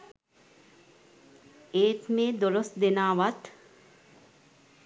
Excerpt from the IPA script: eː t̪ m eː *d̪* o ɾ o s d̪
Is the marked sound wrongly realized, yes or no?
no